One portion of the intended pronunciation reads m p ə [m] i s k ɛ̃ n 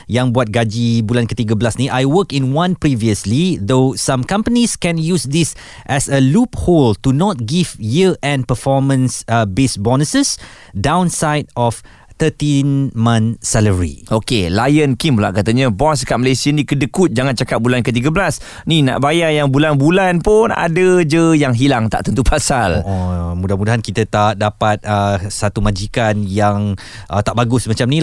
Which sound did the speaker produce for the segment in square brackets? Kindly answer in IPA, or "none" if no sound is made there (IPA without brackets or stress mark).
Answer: n